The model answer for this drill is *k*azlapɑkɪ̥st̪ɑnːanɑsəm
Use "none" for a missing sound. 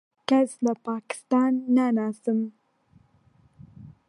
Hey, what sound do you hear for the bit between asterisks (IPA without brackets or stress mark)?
k